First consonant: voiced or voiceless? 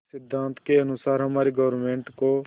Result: voiceless